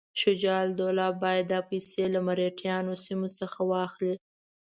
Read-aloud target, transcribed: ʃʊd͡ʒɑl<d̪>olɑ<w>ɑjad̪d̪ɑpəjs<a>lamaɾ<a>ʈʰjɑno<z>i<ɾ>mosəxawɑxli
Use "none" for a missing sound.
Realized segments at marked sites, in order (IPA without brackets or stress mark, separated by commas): d̪, b, e, e, s, none